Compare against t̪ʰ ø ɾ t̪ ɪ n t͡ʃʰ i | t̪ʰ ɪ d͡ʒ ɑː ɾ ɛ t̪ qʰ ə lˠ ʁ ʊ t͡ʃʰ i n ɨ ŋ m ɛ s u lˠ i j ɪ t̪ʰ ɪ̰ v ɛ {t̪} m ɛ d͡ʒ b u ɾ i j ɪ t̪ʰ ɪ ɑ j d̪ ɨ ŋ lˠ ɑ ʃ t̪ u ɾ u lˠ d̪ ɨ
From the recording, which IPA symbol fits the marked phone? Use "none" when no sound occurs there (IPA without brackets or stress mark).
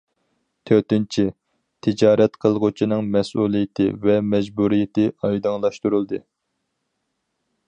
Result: none